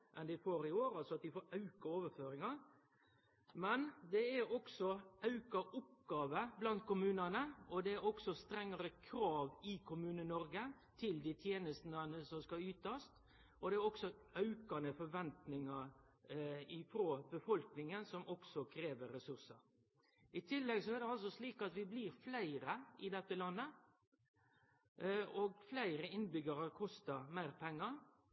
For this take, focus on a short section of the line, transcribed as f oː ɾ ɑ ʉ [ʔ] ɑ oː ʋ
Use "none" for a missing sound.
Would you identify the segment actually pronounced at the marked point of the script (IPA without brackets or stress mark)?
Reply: k